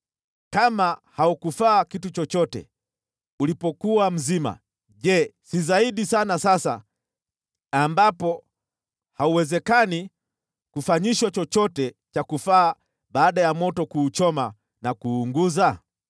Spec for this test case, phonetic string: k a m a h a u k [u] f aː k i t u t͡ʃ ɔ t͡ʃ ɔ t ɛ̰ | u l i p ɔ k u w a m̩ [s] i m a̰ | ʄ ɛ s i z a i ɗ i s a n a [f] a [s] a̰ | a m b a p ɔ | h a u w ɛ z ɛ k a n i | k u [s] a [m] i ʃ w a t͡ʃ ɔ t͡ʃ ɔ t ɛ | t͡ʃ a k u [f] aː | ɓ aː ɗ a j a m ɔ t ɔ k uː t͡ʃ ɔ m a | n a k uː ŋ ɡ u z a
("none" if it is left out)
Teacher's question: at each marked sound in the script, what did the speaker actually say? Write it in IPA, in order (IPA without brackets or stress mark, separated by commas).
u, z, s, s, f, ɲ, f